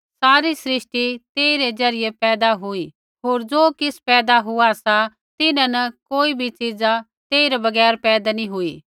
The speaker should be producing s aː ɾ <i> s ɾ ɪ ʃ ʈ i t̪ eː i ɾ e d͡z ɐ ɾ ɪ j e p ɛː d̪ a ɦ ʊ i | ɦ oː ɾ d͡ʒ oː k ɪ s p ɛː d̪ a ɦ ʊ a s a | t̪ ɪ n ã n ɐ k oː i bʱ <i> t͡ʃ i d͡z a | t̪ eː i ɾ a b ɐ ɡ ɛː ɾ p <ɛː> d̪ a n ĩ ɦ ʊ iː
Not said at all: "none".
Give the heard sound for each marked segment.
i, i, ɛː

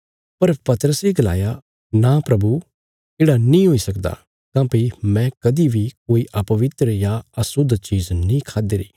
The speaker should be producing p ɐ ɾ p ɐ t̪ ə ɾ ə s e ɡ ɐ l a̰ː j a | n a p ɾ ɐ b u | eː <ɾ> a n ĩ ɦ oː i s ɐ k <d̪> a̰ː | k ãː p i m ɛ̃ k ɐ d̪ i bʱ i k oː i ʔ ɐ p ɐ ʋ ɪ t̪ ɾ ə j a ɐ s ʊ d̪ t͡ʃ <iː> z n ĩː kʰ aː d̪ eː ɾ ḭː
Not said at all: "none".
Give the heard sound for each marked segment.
ɽ, d̪, iː

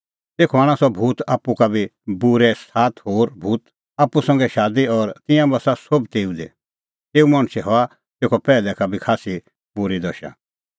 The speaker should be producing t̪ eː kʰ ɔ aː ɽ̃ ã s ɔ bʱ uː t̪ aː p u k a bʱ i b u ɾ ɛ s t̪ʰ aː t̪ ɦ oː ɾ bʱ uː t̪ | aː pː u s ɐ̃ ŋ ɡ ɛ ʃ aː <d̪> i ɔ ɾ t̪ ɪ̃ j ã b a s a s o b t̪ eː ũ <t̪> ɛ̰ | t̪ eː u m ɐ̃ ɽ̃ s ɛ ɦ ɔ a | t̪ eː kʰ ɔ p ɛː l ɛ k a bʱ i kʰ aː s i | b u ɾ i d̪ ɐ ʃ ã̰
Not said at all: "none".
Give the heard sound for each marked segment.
d̪, d̪

